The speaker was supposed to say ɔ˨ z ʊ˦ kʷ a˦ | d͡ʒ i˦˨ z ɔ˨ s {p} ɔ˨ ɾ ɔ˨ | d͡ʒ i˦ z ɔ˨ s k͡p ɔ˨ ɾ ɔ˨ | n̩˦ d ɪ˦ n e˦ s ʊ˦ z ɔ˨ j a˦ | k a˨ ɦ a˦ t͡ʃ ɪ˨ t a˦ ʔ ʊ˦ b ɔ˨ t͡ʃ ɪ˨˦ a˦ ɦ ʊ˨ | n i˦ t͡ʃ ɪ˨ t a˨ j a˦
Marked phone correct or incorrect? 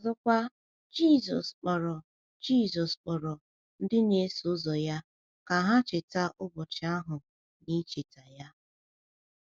incorrect